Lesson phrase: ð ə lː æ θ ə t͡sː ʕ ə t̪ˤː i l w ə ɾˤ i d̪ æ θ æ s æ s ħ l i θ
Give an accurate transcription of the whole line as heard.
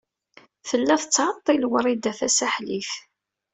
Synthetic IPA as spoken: θ ə lː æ θ ə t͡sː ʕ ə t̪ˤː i l w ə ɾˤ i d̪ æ θ æ s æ ħ l i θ